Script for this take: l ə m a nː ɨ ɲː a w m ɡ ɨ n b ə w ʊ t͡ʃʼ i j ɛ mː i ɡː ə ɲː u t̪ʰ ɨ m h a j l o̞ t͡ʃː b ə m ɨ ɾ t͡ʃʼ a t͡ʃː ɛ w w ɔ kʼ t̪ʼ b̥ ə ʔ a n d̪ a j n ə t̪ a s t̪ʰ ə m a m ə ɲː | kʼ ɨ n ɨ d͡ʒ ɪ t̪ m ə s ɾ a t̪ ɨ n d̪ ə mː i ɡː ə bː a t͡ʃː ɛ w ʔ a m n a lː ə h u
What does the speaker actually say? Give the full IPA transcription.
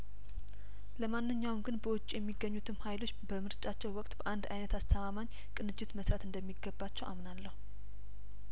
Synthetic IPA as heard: l ə m a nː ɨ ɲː a w m ɡ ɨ n b ə w ʊ t͡ʃʼ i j ɛ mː i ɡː ə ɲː u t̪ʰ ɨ m h a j l o̞ t͡ʃː b ə m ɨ ɾ t͡ʃʼ a t͡ʃː ɛ w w ɔ kʼ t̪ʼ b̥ ə ʔ a n d̪ a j n ə t̪ a s t̪ʰ ə m a m a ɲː | kʼ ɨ n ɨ d͡ʒ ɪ t̪ m ə s ɾ a t̪ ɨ n d̪ ə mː i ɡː ə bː a t͡ʃː ɛ w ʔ a m n a lː ə h u